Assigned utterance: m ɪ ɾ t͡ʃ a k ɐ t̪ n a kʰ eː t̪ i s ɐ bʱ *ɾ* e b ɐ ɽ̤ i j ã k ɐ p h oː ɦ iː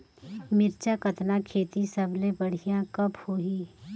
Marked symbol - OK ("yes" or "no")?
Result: no